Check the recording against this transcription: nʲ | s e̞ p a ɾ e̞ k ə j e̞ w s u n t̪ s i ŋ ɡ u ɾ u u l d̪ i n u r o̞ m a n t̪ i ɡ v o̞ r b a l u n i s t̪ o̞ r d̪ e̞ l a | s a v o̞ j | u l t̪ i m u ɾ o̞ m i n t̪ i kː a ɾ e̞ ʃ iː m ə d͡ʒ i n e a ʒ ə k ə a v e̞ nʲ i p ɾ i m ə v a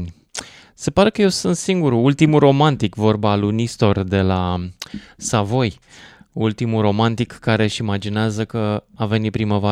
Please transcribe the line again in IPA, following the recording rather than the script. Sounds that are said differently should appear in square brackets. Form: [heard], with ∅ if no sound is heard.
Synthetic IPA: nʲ | s e̞ p a ɾ e̞ k ə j e̞ w s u n t̪ s i ŋ ɡ u ɾ u u l [t̪] i [m] u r o̞ m a n t̪ i [k] v o̞ r b a l u n i s t̪ o̞ r d̪ e̞ l a | s a v o̞ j | u l t̪ i m u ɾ o̞ m [a] n t̪ i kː a ɾ e̞ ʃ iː m [a] d͡ʒ i n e a [z] ə k ə a v e̞ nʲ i p ɾ i m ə v a